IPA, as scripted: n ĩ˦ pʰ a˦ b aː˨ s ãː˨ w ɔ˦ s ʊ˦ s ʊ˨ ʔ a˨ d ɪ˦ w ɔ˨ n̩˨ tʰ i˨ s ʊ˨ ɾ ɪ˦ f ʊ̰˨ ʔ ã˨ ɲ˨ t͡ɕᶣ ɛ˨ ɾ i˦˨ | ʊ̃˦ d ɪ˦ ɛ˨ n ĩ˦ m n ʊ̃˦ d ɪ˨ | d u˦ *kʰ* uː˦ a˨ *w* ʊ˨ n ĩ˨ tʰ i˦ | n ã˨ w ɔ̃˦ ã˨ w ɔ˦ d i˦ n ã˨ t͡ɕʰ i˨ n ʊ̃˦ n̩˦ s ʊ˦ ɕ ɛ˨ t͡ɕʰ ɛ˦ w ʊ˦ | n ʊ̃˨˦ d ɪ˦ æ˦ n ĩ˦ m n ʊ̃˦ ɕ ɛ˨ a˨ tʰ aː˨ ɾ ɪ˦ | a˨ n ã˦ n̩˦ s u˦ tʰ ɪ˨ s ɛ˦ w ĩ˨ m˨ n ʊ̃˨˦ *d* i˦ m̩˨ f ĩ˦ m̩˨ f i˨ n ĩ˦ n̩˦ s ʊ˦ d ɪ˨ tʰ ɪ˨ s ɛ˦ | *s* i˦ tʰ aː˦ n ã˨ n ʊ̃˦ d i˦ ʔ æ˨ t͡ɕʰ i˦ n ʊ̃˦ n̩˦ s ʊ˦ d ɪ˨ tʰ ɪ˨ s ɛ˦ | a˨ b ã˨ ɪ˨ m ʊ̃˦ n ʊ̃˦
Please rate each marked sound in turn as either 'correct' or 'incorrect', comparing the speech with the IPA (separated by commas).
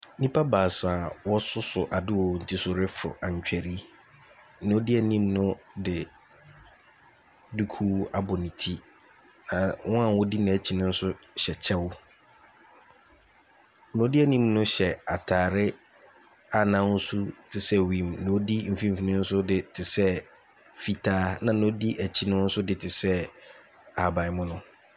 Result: correct, incorrect, correct, incorrect